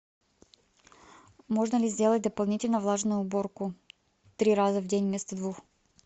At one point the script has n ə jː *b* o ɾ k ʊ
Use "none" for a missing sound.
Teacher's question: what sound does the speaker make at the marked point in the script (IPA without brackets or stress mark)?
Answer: b